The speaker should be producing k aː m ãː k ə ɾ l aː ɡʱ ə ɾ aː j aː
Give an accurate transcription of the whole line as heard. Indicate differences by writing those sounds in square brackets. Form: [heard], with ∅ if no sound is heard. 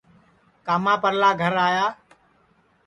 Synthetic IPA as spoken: k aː m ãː [p] ə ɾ l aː ɡʱ ə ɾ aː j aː